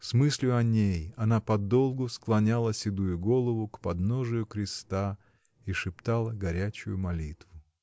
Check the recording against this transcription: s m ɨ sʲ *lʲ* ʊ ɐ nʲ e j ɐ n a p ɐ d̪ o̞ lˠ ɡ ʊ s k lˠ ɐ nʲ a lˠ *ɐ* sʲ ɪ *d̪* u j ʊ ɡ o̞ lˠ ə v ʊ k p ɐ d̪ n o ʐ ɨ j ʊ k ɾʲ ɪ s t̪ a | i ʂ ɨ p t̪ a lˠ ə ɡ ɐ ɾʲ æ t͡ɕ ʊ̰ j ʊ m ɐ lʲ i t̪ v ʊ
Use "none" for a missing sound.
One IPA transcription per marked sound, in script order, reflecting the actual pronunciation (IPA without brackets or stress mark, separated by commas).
lʲ, ə, d̪